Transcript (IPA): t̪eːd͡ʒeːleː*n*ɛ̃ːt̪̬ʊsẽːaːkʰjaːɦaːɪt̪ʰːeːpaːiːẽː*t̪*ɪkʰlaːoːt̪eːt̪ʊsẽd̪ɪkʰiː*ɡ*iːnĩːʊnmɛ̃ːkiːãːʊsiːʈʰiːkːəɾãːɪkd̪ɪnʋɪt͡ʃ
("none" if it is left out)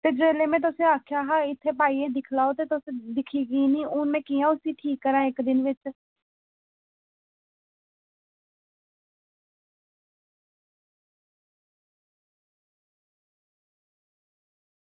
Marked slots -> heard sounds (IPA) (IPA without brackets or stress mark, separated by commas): m, d̪, ɡ